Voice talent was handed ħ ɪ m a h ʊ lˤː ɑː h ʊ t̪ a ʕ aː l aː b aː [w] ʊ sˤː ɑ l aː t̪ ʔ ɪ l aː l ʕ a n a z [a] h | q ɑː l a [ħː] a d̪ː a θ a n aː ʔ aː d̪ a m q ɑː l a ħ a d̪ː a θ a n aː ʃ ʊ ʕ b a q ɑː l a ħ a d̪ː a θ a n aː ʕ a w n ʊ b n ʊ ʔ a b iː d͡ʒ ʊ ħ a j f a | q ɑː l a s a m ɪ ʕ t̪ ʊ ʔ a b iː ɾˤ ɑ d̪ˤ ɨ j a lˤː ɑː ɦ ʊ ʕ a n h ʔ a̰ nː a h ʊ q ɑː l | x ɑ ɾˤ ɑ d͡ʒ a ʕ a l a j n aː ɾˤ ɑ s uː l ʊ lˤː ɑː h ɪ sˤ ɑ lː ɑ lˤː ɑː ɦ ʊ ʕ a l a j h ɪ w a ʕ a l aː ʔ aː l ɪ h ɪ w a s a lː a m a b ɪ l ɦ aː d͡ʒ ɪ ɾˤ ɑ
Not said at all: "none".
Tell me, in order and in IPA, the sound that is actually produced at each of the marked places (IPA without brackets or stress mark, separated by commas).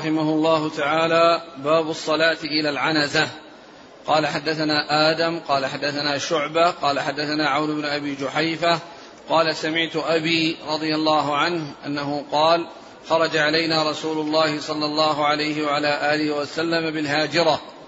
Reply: b, a, ħ